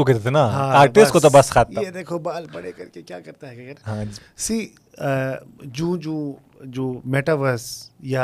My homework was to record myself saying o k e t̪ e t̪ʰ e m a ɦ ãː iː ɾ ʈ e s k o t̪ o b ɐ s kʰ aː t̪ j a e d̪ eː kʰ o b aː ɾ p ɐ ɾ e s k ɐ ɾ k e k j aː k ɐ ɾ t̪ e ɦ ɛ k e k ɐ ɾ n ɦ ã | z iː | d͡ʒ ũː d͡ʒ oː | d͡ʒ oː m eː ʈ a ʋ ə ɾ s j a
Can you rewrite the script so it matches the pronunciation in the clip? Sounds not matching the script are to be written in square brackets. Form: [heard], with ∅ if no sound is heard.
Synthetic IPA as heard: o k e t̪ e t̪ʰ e [n] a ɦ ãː [aː] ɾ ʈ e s k o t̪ o b ɐ s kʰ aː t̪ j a e d̪ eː kʰ o b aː [l] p ɐ [ɽ] e [∅] k ɐ ɾ k e k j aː k ɐ ɾ t̪ [a] ɦ ɛ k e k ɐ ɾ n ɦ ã | [s] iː | d͡ʒ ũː d͡ʒ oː | d͡ʒ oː m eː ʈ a ʋ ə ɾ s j a